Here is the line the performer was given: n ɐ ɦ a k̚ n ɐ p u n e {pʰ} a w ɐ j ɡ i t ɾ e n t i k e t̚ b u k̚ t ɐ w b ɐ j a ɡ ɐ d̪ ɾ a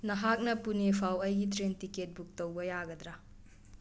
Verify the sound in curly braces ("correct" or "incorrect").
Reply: correct